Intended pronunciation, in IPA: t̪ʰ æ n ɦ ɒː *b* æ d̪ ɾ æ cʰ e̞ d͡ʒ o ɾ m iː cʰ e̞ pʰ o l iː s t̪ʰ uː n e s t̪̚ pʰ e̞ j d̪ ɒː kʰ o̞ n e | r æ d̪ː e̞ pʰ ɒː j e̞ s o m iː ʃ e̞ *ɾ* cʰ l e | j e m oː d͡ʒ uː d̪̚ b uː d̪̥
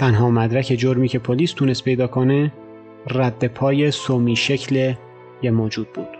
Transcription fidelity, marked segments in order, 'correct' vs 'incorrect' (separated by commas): incorrect, incorrect